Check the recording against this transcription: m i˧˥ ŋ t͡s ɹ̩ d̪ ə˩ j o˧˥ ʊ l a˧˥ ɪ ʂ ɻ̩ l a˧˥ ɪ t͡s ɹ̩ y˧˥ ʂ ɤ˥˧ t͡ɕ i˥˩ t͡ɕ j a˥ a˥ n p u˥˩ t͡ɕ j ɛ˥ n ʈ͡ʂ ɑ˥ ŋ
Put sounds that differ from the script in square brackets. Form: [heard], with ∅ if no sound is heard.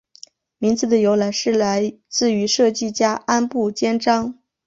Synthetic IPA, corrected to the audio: m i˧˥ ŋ t͡s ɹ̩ d̪ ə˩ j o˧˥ ʊ l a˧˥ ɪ ʂ ɻ̩ l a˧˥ ɪ t͡s ɹ̩ y˧˥ ʂ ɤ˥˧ t͡ɕ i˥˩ t͡ɕ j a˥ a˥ n p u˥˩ t͡ɕ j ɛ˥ n ʈ͡ʂ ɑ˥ ŋ